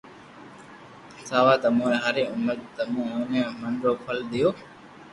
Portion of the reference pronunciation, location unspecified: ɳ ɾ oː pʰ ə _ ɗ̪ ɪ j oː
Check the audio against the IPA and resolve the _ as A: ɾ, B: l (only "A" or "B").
B